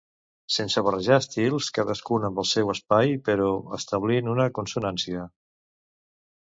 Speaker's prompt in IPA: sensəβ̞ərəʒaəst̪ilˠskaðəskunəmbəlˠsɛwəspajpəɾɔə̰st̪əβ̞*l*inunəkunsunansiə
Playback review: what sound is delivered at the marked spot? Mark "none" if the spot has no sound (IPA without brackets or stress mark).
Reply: l